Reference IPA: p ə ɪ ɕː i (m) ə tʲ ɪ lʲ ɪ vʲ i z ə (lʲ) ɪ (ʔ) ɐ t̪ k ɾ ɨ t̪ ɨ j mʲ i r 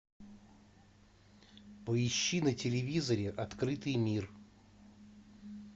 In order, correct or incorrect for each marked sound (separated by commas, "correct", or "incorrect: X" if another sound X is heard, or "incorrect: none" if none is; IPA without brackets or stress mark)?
incorrect: n, incorrect: ɾʲ, correct